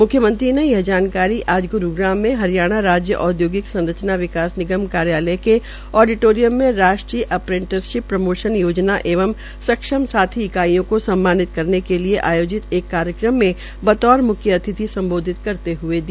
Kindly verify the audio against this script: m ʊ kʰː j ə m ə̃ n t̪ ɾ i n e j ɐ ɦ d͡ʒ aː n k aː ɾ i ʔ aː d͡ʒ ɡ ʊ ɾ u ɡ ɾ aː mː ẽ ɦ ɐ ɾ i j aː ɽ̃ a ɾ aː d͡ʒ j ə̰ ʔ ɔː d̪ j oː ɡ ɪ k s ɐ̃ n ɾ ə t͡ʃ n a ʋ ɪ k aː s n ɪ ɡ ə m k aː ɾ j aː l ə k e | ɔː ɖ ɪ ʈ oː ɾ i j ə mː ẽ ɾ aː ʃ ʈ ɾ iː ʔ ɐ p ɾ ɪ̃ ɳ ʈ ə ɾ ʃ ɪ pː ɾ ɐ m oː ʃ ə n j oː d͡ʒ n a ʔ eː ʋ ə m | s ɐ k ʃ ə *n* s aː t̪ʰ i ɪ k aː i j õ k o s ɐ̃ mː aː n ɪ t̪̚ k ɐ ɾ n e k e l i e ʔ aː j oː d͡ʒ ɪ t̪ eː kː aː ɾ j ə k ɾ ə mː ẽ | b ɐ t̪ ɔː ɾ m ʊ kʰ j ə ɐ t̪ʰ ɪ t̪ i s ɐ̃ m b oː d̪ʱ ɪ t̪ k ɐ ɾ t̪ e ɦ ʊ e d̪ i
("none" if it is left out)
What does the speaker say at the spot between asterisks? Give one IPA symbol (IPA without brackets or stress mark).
m